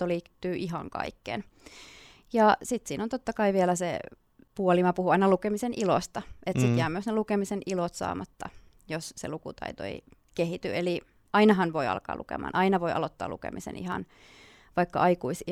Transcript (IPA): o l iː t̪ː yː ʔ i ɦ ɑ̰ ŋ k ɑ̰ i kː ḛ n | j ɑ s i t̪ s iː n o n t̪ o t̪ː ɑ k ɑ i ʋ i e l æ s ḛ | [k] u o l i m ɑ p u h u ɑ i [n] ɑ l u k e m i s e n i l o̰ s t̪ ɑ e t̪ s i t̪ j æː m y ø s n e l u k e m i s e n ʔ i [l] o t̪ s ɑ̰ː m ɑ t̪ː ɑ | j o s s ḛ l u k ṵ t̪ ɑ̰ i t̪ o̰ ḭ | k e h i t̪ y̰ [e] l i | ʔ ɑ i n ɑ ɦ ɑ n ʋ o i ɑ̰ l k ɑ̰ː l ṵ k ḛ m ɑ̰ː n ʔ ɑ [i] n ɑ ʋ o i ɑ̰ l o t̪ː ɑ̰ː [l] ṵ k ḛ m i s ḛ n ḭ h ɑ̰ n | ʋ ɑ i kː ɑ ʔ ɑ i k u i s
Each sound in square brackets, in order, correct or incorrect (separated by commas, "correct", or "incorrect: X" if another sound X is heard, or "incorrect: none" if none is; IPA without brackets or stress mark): incorrect: p, correct, correct, correct, correct, correct